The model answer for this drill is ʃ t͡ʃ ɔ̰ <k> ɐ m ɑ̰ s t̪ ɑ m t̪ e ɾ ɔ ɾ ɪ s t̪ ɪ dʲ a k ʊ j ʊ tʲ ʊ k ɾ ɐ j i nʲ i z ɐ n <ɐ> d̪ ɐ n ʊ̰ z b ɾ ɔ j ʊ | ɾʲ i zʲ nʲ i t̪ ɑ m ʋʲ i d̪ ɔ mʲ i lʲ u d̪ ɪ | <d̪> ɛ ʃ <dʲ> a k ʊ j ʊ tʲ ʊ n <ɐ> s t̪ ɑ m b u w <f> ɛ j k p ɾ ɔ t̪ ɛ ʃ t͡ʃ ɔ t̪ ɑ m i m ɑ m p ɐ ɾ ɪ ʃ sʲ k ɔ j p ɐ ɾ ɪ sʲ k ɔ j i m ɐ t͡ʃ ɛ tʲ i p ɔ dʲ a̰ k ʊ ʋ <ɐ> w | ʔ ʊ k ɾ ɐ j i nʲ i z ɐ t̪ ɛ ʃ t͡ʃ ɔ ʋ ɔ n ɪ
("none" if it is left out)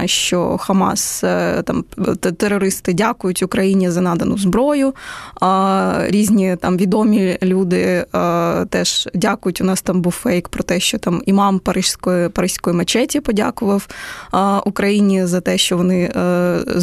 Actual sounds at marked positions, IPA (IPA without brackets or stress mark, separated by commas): x, ɑ, t̪, dʲ, ɑ, f, ɐ